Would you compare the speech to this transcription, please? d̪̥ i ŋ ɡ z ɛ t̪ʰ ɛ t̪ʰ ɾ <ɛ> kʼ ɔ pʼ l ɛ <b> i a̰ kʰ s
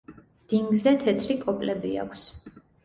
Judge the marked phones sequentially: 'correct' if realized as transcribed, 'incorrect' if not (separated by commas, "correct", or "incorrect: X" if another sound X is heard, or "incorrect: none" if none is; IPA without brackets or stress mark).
incorrect: i, correct